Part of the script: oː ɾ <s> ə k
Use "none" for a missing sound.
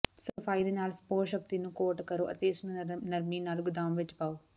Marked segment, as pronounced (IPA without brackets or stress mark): ʃ